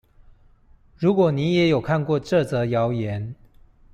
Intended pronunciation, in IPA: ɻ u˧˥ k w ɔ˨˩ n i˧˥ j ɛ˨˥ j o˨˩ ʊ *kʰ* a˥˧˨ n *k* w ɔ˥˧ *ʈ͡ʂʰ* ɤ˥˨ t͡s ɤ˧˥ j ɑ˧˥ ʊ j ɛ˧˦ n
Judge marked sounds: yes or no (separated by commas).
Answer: yes, yes, no